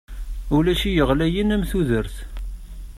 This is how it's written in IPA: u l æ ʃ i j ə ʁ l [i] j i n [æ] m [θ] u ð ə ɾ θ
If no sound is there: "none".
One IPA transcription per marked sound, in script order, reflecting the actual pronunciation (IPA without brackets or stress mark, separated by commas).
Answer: æ, æ, θ